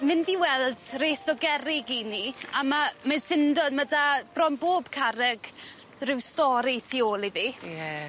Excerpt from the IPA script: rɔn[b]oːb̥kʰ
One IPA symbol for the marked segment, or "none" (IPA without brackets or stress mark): b